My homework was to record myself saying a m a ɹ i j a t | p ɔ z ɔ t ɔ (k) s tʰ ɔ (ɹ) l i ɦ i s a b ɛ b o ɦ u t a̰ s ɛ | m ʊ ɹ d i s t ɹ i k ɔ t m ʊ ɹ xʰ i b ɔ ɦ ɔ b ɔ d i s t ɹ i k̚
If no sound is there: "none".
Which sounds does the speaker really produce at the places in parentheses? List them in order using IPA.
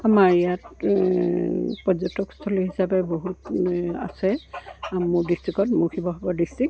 k, none

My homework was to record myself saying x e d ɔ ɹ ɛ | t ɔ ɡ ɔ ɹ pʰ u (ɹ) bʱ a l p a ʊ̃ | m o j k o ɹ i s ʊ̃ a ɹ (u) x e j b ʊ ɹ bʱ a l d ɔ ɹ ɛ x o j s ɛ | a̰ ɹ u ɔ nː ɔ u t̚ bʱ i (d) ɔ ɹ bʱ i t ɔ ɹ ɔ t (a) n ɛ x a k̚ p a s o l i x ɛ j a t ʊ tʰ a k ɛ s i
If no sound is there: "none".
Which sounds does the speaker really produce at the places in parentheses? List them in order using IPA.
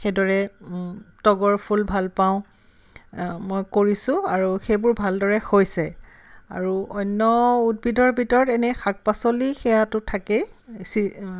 l, u, d, ɛ

